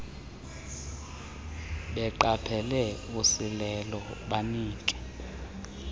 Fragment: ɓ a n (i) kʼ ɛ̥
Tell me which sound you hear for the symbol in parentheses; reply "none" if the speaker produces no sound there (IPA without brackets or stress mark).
iː